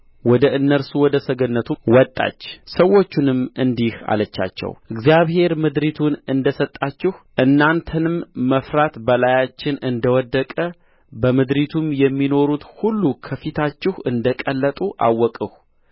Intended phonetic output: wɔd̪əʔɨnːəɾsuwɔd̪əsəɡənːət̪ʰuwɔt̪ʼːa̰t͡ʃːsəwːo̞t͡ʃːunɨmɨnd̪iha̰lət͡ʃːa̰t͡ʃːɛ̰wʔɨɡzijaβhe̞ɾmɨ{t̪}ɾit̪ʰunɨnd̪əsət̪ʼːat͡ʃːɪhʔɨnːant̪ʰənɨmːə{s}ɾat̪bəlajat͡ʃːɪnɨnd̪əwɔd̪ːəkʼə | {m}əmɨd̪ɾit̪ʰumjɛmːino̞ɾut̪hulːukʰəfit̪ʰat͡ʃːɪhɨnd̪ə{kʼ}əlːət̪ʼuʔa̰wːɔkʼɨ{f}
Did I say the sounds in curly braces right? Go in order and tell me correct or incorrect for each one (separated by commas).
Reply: incorrect, incorrect, incorrect, correct, incorrect